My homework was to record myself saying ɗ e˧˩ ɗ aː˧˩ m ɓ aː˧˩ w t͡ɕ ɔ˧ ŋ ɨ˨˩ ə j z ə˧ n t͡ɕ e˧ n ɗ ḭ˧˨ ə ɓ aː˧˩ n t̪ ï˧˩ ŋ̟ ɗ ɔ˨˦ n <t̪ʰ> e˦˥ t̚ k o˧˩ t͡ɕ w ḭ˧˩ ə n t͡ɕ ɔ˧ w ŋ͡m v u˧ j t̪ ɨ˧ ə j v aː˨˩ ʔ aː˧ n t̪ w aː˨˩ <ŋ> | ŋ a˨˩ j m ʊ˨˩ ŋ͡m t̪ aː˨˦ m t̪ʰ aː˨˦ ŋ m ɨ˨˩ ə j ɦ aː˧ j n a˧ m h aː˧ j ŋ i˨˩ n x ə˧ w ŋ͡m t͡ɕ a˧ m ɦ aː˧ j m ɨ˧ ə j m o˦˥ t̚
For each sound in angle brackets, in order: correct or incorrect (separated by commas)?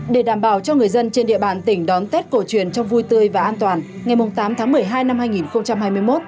incorrect, incorrect